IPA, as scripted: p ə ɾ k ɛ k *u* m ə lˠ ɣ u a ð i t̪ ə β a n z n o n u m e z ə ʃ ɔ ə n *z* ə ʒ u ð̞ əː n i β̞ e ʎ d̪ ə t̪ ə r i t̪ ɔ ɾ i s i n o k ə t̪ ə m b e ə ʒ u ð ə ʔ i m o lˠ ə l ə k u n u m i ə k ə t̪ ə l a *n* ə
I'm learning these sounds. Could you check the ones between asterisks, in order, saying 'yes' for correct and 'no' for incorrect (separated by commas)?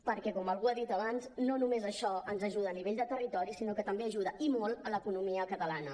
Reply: no, yes, yes